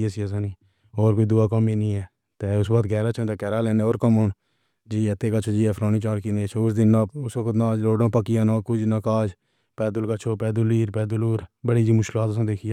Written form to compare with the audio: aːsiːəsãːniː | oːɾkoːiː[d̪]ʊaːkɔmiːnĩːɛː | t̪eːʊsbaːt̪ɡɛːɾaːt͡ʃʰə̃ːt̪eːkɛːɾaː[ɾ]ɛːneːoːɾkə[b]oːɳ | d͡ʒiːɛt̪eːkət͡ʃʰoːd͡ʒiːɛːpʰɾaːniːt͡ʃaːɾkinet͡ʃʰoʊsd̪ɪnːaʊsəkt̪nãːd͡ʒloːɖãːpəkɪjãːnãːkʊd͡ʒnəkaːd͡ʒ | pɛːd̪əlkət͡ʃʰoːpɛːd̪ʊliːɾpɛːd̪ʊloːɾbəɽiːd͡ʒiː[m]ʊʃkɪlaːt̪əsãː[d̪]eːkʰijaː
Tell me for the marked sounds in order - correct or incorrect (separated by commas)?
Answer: correct, incorrect, incorrect, correct, correct